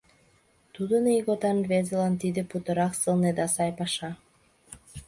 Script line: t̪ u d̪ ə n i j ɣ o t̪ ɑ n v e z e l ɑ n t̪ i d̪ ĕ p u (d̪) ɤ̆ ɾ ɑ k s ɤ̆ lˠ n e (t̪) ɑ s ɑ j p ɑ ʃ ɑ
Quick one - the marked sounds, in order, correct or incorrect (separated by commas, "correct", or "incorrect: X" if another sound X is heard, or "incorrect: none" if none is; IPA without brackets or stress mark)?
incorrect: t̪, incorrect: d̪